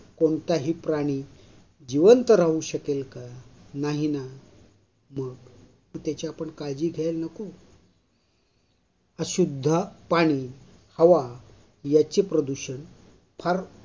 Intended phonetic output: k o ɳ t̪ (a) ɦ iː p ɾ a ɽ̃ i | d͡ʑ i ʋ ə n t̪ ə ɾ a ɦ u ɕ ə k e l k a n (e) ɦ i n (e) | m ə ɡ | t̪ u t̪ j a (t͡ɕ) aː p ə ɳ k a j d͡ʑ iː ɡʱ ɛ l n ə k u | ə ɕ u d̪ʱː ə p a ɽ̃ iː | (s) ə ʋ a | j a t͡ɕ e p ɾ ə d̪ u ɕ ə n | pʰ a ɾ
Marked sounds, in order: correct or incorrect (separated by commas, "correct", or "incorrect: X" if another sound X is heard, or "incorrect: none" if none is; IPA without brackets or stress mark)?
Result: correct, incorrect: a, incorrect: a, correct, incorrect: h